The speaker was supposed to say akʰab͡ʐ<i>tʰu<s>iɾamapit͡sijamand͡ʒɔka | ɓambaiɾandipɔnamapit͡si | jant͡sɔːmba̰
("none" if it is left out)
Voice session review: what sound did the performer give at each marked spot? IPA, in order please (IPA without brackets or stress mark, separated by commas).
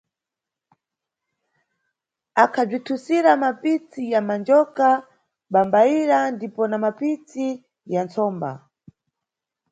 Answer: i, s